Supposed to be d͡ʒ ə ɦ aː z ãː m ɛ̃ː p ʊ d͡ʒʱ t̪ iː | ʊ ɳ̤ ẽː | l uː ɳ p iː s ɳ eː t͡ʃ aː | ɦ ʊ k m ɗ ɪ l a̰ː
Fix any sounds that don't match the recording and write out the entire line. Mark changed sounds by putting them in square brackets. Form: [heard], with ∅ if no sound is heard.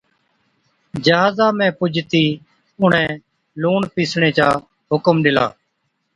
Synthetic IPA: d͡ʒ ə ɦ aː z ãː m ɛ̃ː p ʊ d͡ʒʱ t̪ iː | ʊ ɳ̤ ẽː | l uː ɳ p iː s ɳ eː t͡ʃ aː | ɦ ʊ k m ɗ ɪ l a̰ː